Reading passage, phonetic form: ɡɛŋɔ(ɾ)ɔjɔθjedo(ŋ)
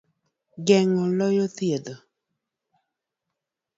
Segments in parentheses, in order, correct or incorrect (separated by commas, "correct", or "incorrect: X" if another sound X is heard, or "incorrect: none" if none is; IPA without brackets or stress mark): incorrect: l, incorrect: none